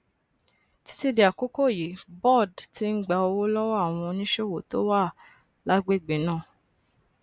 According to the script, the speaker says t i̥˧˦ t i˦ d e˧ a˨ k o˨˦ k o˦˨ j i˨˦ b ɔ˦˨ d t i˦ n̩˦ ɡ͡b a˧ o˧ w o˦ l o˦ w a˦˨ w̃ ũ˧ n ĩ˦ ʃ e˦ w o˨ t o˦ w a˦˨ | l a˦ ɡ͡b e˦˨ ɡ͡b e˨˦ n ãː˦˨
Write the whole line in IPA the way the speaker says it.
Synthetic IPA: t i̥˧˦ t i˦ d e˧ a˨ k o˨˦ k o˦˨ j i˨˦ b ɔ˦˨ d t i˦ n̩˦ ɡ͡b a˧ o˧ w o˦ l ɔ˦ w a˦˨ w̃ ɔ̃˧ n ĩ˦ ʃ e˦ w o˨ t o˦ w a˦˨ | l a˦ ɡ͡b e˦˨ ɡ͡b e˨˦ n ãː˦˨